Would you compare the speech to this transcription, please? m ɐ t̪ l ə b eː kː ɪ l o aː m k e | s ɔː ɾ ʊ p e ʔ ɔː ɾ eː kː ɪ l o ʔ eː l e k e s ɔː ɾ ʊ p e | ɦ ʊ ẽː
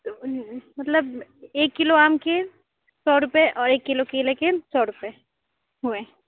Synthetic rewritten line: m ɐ t̪ l ə b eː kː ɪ l o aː m k e | s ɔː ɾ ʊ p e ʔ ɔː ɾ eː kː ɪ l o k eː l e k e s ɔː ɾ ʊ p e | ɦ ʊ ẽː